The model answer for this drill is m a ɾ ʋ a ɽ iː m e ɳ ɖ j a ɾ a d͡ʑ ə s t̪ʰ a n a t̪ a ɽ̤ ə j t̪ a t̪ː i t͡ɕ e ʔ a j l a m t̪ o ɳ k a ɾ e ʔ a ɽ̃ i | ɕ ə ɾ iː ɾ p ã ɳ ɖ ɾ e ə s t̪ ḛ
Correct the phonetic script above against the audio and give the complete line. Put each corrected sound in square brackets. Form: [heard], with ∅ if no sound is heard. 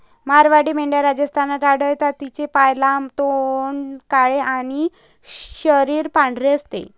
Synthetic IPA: m a ɾ ʋ a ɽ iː m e ɳ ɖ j a ɾ a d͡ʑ ə s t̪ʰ a n a t̪ a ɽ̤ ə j t̪ a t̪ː i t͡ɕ e [p] a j l a m t̪ o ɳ k a [ɭ] e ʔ a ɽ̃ i | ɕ ə ɾ iː ɾ p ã ɳ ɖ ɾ e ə s t̪ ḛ

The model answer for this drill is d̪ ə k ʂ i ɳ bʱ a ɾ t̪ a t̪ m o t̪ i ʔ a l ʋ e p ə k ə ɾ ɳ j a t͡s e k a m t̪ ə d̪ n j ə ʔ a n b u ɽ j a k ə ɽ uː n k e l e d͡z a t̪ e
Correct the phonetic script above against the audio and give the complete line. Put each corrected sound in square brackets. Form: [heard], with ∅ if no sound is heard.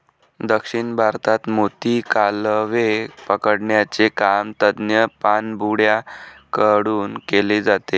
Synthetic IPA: d̪ ə k ʂ i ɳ bʱ a ɾ t̪ a t̪ m o t̪ i [k] a l ʋ e p ə k ə [ɽ] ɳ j a t͡s e k a m t̪ ə d̪ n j ə [p] a n b u ɽ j a k ə ɽ uː n k e l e d͡z a t̪ e

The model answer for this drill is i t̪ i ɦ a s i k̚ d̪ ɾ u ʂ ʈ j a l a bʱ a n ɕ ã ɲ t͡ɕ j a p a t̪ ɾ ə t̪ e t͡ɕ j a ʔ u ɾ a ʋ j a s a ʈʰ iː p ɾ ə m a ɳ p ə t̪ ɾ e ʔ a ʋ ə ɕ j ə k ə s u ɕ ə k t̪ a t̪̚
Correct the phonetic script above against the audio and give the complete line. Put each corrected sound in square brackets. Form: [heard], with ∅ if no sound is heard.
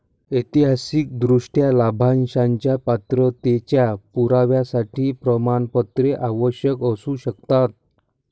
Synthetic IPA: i t̪ i ɦ a s i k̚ d̪ ɾ u ʂ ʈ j a l a bʱ a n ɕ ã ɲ t͡ɕ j a p a t̪ ɾ ə t̪ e t͡ɕ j a [p] u ɾ a ʋ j a s a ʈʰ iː p ɾ ə m a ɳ p ə t̪ ɾ e ʔ a ʋ ə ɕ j ə k ə s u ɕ ə k t̪ a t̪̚

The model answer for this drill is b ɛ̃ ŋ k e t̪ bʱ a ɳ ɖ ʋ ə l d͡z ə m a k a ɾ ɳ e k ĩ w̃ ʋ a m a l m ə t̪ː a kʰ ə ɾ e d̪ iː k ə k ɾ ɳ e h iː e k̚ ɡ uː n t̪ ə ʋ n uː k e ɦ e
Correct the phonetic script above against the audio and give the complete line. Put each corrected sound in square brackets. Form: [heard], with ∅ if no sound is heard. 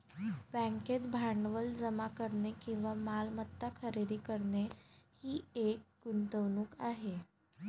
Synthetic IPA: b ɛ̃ ŋ k e t̪ bʱ a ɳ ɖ ʋ ə l d͡z ə m a k [ə] ɾ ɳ e k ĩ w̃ ʋ a m a l m ə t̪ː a kʰ ə ɾ e d̪ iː k ə [∅] ɾ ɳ e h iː e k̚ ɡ [u] n t̪ ə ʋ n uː k [a] ɦ e

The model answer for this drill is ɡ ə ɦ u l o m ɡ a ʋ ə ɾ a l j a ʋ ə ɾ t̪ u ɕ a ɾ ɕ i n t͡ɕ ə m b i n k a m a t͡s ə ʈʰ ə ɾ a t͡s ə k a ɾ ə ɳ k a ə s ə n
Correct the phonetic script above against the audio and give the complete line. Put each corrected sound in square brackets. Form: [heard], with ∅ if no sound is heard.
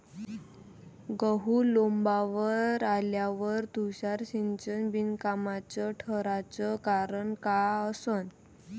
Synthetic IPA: ɡ ə ɦ u l o m [b] a ʋ ə ɾ a l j a ʋ ə ɾ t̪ u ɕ a ɾ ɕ i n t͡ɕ ə [n] b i n k a m a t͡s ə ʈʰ ə ɾ a t͡s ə k a ɾ ə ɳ k a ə s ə n

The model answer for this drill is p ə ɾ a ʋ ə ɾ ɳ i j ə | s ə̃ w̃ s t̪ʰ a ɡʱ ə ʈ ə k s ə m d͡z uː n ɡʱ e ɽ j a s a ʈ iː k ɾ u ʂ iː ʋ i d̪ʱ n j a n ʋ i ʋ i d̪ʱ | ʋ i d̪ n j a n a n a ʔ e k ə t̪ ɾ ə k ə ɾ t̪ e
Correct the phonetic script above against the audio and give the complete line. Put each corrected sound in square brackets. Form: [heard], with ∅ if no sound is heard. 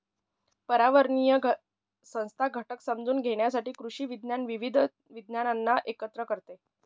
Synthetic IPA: p ə ɾ a ʋ ə ɾ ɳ i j ə | s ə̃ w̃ s t̪ʰ a ɡʱ ə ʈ ə k s ə m d͡z uː n ɡʱ e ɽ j a s a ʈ iː k ɾ u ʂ iː ʋ i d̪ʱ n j a n ʋ i ʋ i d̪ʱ | ʋ i d̪ n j a n a [nː] a ʔ e k ə t̪ ɾ ə k ə ɾ t̪ e

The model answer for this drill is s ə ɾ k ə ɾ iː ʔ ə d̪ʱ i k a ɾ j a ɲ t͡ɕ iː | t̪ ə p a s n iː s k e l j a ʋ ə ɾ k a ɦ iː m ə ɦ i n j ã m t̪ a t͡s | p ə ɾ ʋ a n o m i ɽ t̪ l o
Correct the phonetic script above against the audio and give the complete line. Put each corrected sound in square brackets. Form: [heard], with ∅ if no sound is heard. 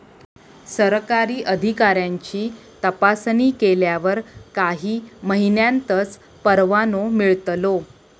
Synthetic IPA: s ə ɾ k [a] ɾ iː ʔ ə d̪ʱ i k a ɾ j a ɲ t͡ɕ iː | t̪ ə p a s n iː [∅] k e l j a ʋ ə ɾ k a ɦ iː m ə ɦ i n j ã [n] t̪ [ə] t͡s | p ə ɾ ʋ a n o m i [ɭ] t̪ l o

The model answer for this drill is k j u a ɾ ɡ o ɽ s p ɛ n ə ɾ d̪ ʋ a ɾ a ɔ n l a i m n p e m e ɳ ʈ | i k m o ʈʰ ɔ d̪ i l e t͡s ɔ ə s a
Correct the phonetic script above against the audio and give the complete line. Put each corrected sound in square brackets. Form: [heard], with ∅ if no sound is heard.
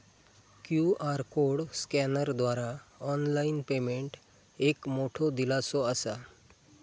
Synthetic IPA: k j u a ɾ [k] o ɽ s [k] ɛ n ə ɾ d̪ ʋ a ɾ a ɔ n l a i [∅] n p e m e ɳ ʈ | [e] k m o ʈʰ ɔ d̪ i l [a] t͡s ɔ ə s a

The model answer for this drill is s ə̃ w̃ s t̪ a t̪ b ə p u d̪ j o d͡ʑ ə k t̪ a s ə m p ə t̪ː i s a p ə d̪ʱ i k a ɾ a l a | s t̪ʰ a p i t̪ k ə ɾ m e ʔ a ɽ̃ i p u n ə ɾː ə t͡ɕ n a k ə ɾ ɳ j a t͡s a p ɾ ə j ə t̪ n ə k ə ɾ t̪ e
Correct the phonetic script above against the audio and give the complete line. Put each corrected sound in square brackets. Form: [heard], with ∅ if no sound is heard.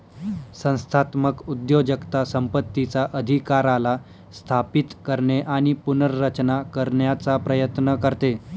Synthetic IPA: s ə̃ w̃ s [t̪ʰ] a t̪ [m] ə [k] u d̪ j o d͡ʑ ə k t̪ a s ə m p ə t̪ː i [t͡s] a [ʔ] ə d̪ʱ i k a ɾ a l a | s t̪ʰ a p i t̪ k ə ɾ [ɳ] e ʔ a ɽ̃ i p u n ə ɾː ə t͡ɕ n a k ə ɾ ɳ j a t͡s a p ɾ ə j ə t̪ n ə k ə ɾ t̪ e

